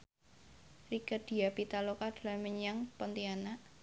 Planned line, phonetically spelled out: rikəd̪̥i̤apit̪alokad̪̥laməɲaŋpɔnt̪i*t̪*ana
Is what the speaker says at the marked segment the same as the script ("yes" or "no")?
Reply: no